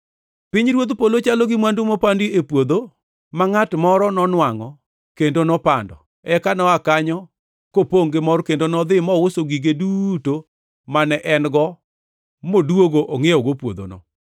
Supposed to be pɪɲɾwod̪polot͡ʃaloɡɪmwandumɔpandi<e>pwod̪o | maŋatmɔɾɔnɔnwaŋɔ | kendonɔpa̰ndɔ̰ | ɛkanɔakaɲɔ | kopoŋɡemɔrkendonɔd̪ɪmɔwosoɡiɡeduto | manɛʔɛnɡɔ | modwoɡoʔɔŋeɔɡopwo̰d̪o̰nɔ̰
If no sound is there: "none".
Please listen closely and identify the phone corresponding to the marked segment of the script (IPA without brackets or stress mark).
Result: e